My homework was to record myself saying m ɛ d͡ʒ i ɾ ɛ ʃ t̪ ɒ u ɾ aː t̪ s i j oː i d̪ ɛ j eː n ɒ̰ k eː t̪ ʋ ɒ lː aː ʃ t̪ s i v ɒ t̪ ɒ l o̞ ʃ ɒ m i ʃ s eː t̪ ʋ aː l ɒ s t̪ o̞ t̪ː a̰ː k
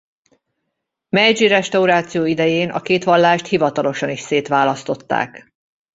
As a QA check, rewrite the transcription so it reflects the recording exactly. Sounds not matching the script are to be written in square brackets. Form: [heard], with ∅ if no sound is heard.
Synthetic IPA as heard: m ɛ d͡ʒ i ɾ ɛ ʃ t̪ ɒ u ɾ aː t̪ s i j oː i d̪ ɛ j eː n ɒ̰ k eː t̪ ʋ ɒ lː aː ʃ t̪ [h] i v ɒ t̪ ɒ l o̞ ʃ ɒ [n] i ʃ s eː t̪ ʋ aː l ɒ s t̪ o̞ t̪ː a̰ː k